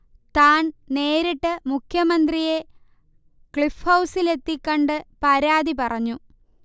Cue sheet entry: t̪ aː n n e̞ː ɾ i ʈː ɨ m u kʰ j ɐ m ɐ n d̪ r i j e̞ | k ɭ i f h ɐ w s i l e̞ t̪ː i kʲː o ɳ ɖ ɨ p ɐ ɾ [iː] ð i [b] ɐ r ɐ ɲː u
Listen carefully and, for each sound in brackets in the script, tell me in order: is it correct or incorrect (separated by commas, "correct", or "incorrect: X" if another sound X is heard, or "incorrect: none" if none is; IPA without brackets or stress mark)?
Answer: incorrect: aː, incorrect: p